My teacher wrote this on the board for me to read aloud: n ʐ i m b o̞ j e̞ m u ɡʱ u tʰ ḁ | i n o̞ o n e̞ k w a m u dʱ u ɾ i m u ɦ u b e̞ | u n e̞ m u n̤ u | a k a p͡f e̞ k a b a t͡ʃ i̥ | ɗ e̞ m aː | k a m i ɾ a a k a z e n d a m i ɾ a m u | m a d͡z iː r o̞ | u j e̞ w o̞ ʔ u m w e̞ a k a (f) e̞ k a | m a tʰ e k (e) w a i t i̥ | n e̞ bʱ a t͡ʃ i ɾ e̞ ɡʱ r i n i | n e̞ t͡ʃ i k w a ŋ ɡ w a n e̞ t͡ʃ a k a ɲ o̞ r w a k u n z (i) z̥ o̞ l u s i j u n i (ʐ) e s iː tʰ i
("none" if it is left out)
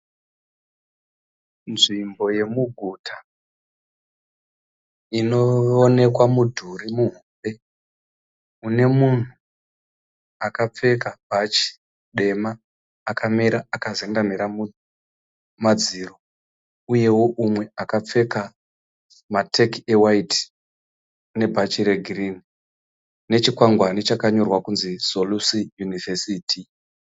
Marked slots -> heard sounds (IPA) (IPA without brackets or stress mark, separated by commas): p͡f, e, i, v